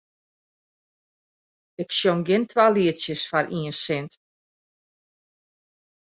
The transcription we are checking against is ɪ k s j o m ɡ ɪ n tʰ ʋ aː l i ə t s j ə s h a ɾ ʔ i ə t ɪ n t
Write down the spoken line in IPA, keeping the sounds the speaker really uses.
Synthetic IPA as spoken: ɪ k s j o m ɡ ɪ n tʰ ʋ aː l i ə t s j ə s f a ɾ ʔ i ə s ɪ n t